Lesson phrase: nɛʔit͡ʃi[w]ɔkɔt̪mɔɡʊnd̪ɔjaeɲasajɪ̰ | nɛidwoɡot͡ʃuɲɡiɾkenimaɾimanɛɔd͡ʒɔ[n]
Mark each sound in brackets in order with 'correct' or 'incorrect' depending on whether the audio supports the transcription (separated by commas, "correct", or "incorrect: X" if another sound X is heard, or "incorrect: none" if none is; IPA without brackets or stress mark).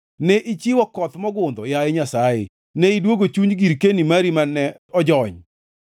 correct, incorrect: ɲ